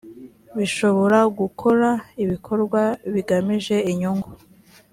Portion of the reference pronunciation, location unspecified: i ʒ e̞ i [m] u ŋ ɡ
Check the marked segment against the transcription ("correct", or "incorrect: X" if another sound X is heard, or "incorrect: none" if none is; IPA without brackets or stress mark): incorrect: ɲ